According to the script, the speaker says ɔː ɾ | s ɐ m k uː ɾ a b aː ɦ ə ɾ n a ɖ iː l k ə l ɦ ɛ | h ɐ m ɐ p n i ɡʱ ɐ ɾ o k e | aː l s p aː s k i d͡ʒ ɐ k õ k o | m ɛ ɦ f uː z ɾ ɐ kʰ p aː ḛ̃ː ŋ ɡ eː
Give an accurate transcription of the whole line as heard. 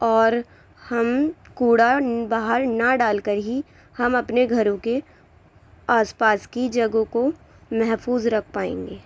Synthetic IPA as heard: ɔː ɾ | h ɐ m k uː ɽ a b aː ɦ ə ɾ n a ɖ aː l k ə ɾ ɦ i | h ɐ m ɐ p n e ɡʱ ɐ ɾ õ k e | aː s p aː s k i d͡ʒ ɐ ɡ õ k o | m ɛ ɦ f uː z ɾ ɐ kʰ p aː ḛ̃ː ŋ ɡ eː